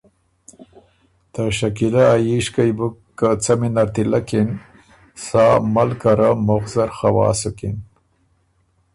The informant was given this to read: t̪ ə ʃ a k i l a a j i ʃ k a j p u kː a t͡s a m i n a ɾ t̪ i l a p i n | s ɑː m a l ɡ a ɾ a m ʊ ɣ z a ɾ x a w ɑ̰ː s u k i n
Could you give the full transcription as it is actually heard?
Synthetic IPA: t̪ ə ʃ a k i l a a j i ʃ k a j b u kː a t͡s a m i n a ɾ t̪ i l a k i n | s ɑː m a l k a ɾ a m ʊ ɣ z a ɾ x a w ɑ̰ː s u k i n